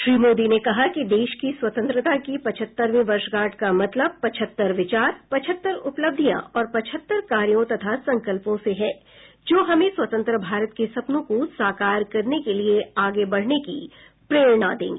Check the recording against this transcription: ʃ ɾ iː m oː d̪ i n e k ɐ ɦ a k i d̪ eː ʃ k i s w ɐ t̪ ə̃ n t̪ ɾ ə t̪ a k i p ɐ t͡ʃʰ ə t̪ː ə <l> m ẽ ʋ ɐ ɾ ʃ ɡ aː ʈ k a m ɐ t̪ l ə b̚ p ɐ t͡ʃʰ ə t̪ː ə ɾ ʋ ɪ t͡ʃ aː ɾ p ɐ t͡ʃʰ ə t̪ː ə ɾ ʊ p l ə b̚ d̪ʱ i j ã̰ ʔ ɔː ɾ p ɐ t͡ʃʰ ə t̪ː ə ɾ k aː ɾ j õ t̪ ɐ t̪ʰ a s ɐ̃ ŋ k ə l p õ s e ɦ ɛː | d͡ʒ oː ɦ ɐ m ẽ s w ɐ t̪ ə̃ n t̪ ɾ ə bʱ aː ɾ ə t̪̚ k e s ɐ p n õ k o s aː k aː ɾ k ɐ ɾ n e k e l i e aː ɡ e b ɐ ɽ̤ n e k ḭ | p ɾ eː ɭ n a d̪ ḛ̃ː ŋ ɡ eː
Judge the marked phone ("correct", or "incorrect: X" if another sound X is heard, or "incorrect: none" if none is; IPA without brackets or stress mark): incorrect: ɾ